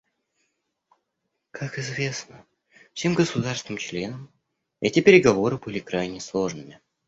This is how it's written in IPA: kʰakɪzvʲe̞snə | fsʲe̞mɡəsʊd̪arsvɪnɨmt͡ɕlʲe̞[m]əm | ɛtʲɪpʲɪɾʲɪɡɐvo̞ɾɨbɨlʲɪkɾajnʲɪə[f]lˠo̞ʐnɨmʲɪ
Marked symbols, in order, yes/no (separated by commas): no, no